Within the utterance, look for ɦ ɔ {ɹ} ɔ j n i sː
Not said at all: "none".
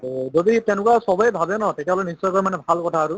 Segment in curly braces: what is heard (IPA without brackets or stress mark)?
l